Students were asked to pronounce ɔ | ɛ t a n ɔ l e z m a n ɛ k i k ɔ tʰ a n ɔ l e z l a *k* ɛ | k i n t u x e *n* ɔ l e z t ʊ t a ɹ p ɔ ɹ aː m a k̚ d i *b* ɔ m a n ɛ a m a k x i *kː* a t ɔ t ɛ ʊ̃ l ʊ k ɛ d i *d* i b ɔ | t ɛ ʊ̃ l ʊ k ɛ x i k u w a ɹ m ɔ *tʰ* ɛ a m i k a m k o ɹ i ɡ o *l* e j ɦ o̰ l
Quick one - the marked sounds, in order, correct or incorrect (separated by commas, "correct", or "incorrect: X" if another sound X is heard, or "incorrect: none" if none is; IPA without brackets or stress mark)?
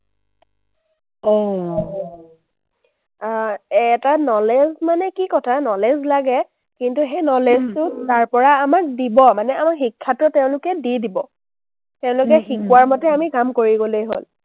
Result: incorrect: ɡ, correct, correct, incorrect: kʰː, correct, incorrect: t, correct